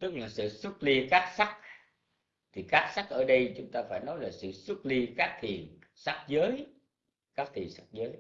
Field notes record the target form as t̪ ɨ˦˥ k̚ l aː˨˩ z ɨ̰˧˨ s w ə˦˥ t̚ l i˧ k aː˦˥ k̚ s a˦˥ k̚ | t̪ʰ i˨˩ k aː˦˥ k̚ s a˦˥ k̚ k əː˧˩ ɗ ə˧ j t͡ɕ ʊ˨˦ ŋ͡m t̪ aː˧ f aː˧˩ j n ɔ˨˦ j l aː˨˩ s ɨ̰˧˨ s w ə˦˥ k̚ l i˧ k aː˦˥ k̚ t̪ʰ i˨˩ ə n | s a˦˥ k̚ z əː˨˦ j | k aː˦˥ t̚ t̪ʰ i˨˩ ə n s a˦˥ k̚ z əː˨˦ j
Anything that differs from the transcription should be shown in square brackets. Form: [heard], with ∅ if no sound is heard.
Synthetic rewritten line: t̪ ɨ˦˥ k̚ l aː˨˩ [s] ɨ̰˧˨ s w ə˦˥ t̚ l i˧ k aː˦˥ k̚ s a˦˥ k̚ | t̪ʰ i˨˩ k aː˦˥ k̚ s a˦˥ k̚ [ʔ] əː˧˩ ɗ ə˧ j t͡ɕ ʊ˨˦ ŋ͡m t̪ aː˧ f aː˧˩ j n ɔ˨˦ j l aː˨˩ s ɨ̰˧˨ s w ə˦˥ [t̚] l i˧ k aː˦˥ k̚ t̪ʰ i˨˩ ə n | s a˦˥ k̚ z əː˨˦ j | k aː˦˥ [k̚] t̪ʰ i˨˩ ə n s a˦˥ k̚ z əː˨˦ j